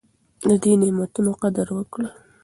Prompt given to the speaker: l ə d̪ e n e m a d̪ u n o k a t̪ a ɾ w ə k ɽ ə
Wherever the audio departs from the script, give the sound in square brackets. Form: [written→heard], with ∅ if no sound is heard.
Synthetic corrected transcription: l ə d̪ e n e m a [d̪→t̪] u n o [k→q] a [t̪→d̪] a ɾ w ə k ɽ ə